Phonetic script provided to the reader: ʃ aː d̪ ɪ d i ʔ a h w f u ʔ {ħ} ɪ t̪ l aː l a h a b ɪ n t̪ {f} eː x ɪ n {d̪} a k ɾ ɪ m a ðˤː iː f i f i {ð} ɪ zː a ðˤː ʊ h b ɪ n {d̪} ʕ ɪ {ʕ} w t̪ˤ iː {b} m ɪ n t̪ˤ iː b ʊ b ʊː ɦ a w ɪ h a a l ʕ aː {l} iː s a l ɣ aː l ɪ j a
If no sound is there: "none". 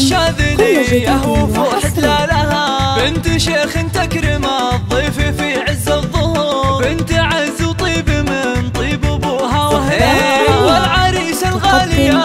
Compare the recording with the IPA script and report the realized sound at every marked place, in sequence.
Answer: ħ, ʃ, t̪, ʕ, t̪, z, b, ɾ

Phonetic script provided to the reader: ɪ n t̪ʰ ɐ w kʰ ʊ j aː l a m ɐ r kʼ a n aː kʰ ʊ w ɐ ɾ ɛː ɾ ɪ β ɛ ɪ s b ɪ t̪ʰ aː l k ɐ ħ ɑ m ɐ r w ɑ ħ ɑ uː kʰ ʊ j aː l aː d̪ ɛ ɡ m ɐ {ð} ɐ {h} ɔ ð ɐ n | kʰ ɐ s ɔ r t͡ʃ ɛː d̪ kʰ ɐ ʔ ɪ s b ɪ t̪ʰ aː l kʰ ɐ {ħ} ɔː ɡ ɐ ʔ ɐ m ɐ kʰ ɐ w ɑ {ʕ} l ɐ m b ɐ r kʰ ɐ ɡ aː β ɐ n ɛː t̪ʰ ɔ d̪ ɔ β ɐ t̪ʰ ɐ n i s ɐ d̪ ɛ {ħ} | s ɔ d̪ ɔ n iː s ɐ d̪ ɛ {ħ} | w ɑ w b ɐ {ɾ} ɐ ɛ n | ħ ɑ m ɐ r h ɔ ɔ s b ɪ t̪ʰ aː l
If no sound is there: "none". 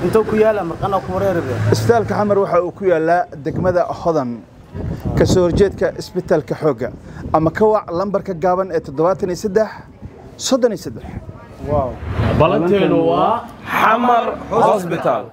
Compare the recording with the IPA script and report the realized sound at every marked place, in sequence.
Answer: ð, h, ħ, ʕ, ħ, ħ, l

